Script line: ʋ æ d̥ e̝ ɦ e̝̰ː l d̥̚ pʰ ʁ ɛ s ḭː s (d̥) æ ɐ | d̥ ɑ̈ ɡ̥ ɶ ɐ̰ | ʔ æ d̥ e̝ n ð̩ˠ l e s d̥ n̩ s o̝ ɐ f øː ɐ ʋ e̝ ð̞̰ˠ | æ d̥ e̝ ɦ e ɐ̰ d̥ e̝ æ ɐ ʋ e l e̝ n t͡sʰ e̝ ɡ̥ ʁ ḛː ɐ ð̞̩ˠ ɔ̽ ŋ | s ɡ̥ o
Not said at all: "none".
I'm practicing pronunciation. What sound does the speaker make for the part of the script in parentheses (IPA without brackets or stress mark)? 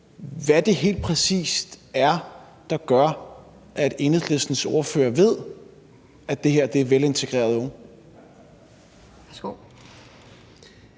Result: d̥